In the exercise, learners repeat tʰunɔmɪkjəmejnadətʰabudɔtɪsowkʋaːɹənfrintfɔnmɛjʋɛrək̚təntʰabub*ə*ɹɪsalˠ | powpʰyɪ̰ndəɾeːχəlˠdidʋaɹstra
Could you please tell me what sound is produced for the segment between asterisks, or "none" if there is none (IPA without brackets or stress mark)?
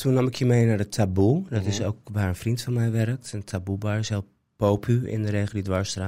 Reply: a